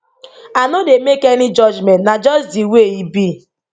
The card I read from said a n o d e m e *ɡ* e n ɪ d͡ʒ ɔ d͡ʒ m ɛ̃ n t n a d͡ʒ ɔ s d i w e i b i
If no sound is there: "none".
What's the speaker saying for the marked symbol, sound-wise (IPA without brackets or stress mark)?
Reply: k